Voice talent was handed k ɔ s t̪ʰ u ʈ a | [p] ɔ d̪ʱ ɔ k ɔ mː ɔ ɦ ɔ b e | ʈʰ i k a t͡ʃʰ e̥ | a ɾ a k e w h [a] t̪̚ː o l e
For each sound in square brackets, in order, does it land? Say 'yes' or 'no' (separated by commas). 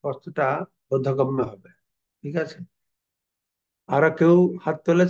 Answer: no, yes